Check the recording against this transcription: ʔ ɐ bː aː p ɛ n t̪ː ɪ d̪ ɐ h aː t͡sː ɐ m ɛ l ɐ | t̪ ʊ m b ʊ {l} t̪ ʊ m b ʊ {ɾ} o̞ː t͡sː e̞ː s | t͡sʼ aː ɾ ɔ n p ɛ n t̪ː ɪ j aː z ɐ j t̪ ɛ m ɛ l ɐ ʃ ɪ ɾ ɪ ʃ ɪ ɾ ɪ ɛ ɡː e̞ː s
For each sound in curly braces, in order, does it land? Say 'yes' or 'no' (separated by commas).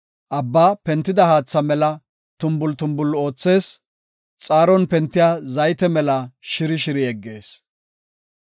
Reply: yes, no